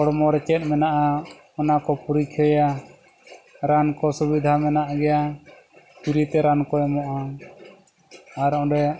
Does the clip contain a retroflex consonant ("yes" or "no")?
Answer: yes